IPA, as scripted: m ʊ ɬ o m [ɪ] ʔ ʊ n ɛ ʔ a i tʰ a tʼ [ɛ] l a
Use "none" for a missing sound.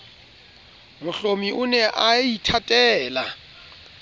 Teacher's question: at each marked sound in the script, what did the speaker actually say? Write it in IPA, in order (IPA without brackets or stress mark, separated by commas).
i, ɛː